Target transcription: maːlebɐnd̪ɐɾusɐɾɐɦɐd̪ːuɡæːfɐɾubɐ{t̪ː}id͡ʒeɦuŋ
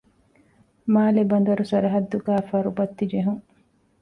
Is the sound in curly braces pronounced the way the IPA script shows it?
yes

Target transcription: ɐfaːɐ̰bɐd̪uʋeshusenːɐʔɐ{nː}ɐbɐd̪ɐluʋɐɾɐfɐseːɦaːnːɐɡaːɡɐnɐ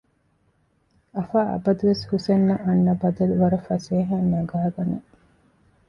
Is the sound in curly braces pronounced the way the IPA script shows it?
yes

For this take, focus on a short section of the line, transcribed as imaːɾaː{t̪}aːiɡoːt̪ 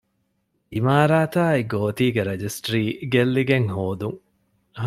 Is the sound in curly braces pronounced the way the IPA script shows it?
yes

